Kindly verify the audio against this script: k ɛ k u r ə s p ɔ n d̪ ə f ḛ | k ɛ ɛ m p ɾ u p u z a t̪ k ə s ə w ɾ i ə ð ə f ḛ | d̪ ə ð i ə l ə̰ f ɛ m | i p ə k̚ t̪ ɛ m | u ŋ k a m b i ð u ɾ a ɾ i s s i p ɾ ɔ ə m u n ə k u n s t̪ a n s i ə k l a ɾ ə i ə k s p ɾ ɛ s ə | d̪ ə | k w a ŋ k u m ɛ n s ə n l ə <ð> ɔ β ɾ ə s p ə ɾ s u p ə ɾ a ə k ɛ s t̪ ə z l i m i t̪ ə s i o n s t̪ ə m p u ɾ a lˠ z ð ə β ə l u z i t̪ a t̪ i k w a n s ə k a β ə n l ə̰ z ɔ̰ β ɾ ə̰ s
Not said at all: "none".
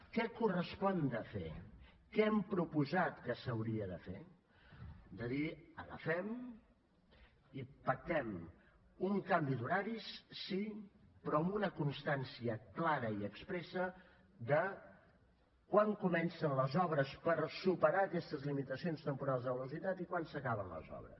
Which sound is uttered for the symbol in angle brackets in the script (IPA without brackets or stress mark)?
z